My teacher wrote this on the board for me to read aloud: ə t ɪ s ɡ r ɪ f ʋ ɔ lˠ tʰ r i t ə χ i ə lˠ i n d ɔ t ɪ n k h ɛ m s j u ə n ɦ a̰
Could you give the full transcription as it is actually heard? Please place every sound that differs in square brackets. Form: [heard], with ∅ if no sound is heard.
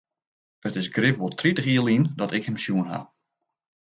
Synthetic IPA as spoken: ə t ɪ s ɡ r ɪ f ʋ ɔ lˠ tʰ r i t ə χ i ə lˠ i n d ɔ t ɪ [∅] k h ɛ m s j u ə n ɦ a̰